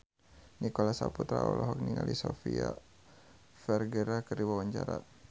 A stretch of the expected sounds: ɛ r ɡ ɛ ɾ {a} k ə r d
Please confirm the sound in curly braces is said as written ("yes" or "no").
yes